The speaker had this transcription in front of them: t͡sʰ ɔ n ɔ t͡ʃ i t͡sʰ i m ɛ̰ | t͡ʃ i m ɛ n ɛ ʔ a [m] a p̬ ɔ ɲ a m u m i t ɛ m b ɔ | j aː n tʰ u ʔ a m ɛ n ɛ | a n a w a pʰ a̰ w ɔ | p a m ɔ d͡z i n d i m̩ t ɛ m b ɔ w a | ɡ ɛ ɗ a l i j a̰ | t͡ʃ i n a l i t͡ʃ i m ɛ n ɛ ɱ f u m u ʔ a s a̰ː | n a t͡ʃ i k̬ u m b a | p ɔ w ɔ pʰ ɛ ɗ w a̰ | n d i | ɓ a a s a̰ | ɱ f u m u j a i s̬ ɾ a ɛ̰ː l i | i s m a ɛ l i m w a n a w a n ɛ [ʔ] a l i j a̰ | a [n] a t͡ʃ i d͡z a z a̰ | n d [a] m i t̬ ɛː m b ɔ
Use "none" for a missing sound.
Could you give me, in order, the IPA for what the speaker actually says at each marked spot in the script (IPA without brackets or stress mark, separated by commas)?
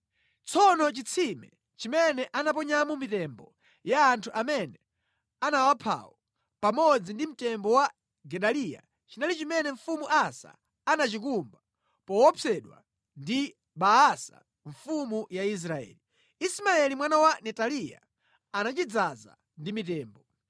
n, t, n, i